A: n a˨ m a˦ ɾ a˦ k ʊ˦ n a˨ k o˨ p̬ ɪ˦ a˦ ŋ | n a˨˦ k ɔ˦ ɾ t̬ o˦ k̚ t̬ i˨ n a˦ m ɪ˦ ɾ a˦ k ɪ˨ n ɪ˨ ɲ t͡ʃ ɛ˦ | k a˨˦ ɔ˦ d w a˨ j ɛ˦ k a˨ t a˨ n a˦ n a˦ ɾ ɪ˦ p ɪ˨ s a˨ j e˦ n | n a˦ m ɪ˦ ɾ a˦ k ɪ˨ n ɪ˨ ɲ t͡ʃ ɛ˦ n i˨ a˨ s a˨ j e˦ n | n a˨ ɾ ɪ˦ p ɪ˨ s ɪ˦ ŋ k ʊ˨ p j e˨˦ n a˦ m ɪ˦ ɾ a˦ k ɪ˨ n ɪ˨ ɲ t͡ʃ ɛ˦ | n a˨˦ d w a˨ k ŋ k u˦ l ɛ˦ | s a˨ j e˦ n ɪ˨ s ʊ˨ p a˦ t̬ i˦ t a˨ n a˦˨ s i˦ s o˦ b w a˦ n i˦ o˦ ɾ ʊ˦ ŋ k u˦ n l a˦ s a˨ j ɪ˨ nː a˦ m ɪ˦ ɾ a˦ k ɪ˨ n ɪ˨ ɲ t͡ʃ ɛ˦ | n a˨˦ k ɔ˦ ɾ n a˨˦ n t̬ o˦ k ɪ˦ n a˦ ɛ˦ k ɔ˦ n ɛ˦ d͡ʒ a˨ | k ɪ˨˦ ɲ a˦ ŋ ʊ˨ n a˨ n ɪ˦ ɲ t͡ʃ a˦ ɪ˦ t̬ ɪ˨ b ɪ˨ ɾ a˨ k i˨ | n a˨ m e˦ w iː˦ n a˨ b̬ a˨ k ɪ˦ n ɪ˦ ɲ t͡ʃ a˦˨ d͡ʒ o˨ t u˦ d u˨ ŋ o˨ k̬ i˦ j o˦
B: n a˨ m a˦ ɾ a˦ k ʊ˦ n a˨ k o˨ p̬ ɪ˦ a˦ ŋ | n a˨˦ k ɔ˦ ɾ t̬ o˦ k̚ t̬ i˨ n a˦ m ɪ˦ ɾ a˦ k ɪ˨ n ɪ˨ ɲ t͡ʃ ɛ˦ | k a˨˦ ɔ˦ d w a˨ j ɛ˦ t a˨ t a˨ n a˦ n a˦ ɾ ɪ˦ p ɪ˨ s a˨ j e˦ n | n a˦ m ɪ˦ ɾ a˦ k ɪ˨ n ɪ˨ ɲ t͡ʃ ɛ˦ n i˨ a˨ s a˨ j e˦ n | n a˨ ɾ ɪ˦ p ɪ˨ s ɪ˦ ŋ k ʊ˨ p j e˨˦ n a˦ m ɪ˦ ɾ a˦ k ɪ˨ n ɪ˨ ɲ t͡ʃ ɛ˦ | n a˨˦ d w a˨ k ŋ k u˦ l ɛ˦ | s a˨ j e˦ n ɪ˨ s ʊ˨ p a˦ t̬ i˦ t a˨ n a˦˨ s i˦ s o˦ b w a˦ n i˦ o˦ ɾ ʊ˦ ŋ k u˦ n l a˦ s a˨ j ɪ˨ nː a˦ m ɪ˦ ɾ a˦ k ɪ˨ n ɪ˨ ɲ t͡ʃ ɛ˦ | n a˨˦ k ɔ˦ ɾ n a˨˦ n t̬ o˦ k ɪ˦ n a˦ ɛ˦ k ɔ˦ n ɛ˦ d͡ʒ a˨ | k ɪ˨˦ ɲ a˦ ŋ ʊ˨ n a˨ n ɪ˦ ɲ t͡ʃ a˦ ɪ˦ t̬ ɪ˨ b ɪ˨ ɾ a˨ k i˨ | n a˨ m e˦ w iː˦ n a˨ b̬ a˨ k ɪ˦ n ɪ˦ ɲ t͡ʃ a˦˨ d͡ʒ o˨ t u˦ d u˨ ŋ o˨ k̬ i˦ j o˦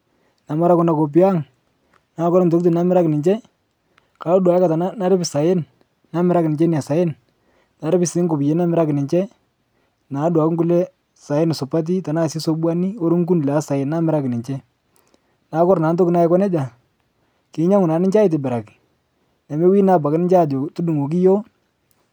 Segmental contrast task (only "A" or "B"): A